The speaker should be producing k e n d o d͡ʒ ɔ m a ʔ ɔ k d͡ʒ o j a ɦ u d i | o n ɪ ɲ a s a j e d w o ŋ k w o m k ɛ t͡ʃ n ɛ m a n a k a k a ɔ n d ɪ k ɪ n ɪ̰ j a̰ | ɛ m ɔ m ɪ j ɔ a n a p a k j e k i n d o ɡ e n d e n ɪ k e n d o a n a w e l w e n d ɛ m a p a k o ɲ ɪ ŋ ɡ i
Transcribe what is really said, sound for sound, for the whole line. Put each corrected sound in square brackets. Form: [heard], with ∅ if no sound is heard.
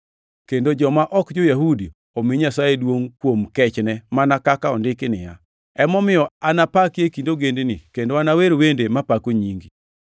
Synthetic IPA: k e n d o d͡ʒ ɔ m a ʔ ɔ k d͡ʒ o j a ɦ u d i | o [m] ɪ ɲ a s a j e d w o ŋ k w o m k ɛ t͡ʃ n ɛ m a n a k a k a ɔ n d ɪ k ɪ n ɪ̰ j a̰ | ɛ m ɔ m ɪ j ɔ a n a p a k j e k i n d o ɡ e n d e n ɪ k e n d o a n a w e [ɾ] w e n d [e] m a p a k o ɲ [i] ŋ ɡ i